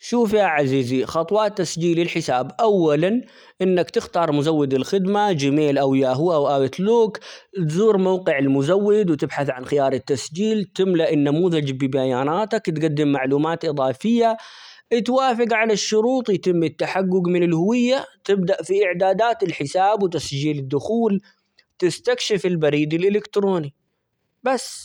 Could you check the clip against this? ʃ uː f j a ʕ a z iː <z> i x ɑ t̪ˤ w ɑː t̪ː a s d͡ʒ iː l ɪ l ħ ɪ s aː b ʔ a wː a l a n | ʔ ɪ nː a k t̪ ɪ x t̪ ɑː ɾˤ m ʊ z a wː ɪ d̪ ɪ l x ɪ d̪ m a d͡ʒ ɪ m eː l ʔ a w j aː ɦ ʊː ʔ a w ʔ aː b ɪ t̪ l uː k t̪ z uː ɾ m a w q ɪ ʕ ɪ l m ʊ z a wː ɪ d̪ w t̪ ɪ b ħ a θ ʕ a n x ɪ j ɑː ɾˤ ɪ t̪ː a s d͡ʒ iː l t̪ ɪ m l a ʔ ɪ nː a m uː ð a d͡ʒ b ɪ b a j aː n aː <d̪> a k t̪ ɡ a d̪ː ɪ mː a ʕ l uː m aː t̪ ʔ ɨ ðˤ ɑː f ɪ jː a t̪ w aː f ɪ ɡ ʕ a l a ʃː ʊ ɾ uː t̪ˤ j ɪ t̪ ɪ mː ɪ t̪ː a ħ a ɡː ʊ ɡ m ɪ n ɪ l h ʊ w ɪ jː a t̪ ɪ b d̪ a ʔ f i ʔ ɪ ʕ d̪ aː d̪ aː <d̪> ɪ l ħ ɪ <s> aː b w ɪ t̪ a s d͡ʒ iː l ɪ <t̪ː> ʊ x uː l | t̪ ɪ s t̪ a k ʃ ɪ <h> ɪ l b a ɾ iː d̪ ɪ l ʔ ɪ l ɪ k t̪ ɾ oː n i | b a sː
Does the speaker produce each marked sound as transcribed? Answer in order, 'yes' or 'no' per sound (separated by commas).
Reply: yes, no, no, yes, no, no